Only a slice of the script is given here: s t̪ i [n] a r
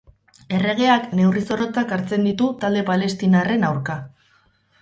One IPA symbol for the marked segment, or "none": n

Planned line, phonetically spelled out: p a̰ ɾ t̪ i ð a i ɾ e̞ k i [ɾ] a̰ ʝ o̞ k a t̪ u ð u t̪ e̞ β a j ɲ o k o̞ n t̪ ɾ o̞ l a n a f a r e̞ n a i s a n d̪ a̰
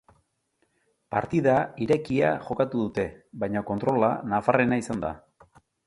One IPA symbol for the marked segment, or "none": none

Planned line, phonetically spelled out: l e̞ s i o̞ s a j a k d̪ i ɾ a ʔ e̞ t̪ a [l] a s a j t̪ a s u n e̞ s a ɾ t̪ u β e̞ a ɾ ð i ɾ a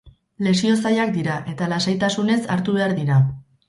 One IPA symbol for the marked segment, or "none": l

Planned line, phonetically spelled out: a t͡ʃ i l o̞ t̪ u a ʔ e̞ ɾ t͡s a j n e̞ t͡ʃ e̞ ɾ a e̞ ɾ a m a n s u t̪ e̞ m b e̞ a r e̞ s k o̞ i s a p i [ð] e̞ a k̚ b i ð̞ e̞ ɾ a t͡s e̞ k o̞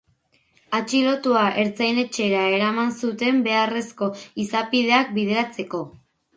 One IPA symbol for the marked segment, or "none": ð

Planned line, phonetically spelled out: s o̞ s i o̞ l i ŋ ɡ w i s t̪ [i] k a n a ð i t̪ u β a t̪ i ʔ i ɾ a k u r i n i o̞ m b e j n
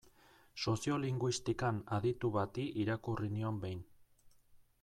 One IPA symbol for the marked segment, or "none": i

